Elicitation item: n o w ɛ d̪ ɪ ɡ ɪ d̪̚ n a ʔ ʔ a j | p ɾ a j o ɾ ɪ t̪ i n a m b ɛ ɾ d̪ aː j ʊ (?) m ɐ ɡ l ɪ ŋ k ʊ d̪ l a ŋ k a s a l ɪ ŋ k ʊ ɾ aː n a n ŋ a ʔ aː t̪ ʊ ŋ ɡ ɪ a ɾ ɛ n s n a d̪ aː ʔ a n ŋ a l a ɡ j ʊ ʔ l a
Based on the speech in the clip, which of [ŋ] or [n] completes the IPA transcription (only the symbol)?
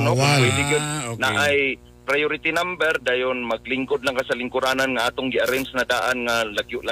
n